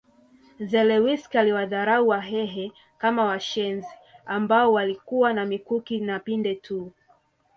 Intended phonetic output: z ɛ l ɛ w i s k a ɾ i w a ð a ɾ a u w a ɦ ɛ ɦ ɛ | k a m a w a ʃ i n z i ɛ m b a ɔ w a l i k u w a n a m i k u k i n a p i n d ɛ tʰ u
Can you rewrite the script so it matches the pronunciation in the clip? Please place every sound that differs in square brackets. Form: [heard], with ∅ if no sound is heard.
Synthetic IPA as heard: z ɛ l ɛ w i s k a [l] i w a ð a ɾ a u w a ɦ ɛ ɦ ɛ | k a m a w a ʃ [ɛ] n z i [a] m b a ɔ w a l i k u w a n a m i k u k i n a p i n d ɛ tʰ u